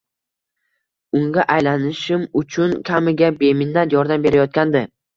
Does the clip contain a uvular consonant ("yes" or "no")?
no